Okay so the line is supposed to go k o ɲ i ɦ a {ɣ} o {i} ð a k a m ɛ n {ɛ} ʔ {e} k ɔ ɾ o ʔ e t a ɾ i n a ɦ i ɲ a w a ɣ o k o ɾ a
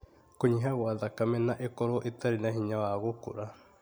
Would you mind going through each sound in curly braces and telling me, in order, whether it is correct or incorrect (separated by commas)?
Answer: correct, incorrect, incorrect, correct